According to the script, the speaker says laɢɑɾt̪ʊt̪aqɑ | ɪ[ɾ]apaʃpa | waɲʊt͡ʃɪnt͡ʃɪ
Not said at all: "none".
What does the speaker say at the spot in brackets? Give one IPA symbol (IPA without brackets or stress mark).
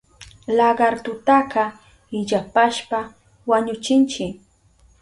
ʎ